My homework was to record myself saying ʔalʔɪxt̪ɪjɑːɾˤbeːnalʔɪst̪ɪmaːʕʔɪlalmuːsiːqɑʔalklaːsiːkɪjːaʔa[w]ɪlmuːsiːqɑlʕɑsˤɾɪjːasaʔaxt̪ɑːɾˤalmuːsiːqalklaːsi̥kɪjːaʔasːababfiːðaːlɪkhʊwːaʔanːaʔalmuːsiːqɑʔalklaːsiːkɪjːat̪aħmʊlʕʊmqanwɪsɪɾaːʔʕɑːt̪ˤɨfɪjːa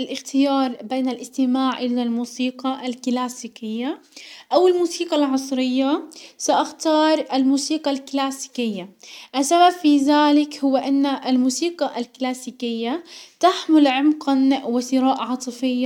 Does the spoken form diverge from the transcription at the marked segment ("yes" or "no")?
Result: no